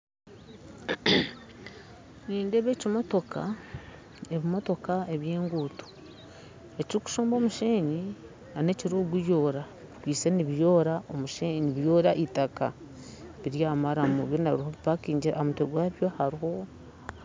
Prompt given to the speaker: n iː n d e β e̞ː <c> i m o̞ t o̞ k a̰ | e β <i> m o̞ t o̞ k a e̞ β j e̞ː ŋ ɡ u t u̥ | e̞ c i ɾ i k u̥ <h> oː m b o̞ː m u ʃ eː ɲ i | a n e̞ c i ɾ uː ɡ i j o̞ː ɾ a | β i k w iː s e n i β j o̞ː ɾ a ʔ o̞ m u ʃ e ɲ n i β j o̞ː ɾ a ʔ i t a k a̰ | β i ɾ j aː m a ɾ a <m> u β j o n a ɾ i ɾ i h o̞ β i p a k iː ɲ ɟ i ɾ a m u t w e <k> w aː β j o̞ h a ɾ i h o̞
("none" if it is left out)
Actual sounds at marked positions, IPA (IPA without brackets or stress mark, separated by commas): c, i, ʃ, m, ɡ